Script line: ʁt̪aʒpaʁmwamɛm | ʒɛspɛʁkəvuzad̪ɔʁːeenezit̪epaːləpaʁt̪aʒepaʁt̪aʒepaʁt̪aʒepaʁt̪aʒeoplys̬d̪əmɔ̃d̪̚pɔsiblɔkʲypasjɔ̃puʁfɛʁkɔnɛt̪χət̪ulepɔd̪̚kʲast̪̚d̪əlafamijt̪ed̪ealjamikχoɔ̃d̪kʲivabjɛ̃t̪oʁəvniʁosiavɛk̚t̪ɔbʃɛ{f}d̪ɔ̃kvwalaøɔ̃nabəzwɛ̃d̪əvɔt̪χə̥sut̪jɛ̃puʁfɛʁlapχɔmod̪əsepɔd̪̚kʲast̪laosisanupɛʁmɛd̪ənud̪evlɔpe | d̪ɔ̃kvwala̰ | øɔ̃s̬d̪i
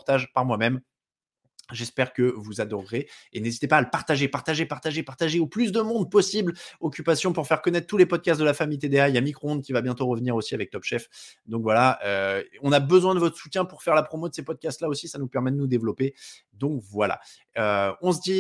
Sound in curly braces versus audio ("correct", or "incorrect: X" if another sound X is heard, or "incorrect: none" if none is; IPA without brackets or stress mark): correct